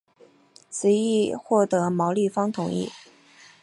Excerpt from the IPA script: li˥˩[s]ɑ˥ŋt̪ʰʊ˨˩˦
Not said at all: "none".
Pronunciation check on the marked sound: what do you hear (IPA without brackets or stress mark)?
f